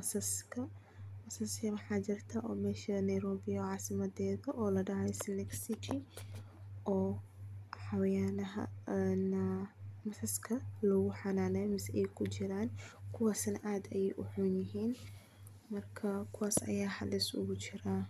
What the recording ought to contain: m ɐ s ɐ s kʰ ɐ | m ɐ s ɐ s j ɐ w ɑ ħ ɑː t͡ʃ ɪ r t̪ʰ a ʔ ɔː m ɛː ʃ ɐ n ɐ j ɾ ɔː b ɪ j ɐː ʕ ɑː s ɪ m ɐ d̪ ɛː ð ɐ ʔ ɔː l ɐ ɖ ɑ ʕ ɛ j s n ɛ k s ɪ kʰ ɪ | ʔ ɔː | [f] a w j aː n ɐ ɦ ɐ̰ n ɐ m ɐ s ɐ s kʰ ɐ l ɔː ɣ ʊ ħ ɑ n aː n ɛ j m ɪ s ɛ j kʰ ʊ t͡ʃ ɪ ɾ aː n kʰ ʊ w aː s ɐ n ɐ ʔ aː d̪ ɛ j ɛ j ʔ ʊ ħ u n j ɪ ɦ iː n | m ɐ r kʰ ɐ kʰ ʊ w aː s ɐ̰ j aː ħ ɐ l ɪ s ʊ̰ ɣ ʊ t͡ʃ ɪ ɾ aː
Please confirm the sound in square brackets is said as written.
no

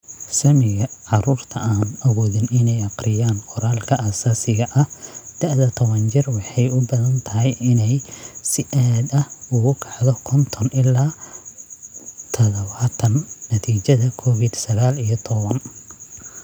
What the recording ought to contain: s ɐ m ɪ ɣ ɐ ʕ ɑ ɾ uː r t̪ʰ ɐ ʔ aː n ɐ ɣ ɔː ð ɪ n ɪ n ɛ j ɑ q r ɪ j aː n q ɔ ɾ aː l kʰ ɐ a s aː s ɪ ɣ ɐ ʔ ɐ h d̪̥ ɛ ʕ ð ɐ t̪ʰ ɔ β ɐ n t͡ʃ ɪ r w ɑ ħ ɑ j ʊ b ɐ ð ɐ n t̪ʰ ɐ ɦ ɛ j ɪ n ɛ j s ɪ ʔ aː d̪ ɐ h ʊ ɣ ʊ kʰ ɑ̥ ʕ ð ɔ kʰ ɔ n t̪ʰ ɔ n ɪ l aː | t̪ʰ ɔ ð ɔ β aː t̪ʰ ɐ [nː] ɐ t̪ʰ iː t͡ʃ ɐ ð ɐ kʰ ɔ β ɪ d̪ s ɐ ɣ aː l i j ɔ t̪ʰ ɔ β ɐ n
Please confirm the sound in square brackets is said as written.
yes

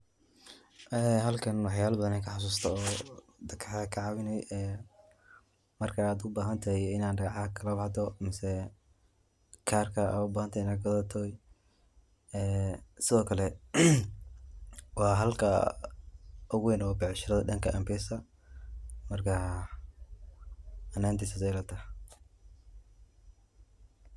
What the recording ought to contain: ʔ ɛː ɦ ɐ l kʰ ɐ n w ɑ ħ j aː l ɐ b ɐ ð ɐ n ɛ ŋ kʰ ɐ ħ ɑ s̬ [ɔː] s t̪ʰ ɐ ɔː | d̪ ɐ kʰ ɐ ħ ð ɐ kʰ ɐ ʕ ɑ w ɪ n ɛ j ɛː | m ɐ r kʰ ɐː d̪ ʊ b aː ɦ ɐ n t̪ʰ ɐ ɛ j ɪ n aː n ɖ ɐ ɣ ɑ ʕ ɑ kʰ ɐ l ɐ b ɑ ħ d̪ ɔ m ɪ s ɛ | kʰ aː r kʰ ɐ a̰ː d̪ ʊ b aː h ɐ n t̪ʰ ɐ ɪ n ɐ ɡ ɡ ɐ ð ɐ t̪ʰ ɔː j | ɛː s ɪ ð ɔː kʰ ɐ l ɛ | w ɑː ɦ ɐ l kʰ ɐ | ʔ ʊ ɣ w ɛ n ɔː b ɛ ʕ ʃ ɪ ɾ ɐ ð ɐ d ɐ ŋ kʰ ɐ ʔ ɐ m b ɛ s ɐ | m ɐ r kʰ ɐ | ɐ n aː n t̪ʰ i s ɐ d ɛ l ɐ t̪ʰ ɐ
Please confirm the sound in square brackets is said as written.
no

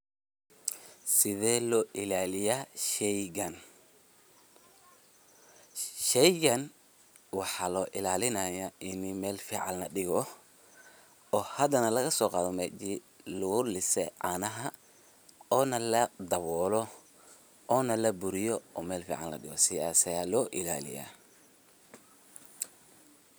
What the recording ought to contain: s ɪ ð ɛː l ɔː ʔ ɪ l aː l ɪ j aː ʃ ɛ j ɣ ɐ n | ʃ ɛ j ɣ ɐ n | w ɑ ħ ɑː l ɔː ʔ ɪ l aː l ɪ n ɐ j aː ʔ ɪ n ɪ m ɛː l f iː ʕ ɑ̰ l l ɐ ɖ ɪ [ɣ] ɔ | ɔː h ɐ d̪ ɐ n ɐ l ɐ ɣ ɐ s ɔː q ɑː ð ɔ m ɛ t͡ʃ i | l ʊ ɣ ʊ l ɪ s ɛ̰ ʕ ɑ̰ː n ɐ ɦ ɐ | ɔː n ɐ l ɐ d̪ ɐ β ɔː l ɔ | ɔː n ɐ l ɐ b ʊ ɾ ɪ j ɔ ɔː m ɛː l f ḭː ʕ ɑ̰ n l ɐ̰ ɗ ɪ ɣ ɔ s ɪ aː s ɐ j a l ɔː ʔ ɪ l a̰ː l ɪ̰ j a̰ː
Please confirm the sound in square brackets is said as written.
yes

